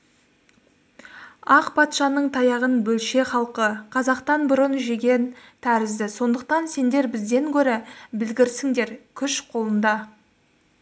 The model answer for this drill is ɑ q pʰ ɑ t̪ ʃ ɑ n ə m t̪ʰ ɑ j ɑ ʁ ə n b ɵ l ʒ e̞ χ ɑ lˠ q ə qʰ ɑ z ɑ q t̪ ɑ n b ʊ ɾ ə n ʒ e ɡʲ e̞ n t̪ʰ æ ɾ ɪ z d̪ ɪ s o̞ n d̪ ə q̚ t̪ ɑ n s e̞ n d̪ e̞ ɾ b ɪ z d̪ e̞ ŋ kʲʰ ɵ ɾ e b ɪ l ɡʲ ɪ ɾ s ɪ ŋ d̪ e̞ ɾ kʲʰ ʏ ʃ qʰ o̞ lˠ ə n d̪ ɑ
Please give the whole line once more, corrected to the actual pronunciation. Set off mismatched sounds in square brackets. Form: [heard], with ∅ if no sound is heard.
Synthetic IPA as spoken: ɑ q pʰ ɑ t̪ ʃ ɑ n ə [ɴ] t̪ʰ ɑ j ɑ ʁ ə n b ɵ l [ʃ] e̞ χ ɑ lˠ q ə qʰ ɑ z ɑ q t̪ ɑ n b ʊ ɾ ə n ʒ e ɡʲ e̞ n t̪ʰ æ ɾ ɪ z d̪ ɪ s o̞ n d̪ ə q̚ t̪ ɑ n s e̞ n d̪ e̞ ɾ b ɪ z d̪ e̞ ŋ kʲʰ ɵ ɾ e b ɪ l ɡʲ ɪ ɾ s ɪ ŋ d̪ e̞ ɾ kʲʰ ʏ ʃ qʰ o̞ lˠ ə n d̪ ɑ